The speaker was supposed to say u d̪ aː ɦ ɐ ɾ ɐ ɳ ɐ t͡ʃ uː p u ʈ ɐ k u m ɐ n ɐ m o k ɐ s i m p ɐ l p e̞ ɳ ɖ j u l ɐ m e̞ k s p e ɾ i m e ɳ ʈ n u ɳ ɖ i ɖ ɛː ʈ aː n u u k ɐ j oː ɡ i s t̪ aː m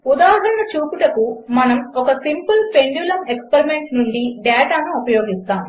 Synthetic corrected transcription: u d̪ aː ɦ ɐ ɾ ɐ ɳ ɐ t͡ʃ uː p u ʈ ɐ k u m ɐ n ɐ m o k ɐ s i m p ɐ l p e̞ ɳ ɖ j u l ɐ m e̞ k s p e ɾ i m e ɳ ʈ n u ɳ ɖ i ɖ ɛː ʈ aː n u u p ɐ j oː ɡ i s t̪ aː m